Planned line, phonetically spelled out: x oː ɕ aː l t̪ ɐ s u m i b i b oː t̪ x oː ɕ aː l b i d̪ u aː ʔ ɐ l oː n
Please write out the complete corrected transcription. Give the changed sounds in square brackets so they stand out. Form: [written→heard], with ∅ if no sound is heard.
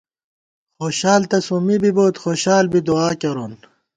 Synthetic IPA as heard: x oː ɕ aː l t̪ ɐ s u m i b i b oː t̪ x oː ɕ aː l b i d̪ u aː [ʔ→k] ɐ [l→ɾ] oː n